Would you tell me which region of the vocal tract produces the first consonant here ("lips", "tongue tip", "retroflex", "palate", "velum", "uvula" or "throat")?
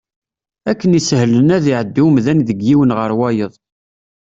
velum